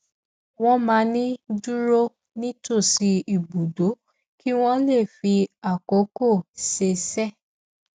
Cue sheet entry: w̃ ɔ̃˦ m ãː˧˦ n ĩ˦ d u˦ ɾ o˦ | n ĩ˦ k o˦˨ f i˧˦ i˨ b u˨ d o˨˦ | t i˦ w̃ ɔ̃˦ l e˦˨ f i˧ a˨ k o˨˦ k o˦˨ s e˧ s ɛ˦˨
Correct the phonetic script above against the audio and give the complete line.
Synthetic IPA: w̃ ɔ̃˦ m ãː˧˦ n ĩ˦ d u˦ ɾ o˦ | n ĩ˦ t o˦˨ s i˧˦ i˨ b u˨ d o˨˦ | k i˦ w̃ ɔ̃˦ l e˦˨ f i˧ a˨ k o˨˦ k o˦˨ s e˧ s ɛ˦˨